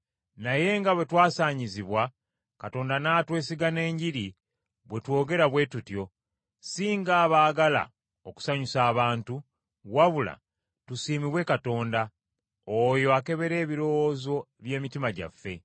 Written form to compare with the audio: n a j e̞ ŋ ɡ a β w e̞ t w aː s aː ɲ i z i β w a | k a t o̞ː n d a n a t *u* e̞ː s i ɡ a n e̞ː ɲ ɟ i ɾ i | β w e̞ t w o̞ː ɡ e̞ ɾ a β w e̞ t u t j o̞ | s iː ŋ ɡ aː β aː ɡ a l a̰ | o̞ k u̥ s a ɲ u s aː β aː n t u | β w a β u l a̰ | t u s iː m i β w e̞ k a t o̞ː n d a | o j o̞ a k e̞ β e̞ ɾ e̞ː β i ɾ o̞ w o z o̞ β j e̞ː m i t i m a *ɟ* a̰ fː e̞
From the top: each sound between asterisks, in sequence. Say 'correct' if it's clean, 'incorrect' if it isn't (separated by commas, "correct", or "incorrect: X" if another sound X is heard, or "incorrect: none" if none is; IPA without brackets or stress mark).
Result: incorrect: w, correct